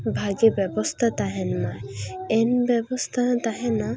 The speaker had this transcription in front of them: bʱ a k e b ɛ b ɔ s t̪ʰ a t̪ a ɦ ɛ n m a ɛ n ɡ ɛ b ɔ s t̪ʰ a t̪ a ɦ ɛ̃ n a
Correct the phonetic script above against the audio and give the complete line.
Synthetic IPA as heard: bʱ a ɡ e b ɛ b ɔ s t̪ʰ a t̪ a ɦ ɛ n m a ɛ n b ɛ b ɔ s t̪ʰ a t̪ a ɦ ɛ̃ n a